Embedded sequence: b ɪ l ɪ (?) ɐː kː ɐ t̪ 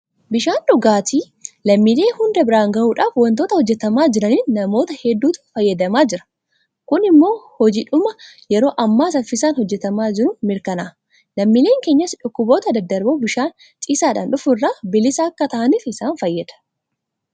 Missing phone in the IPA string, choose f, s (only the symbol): s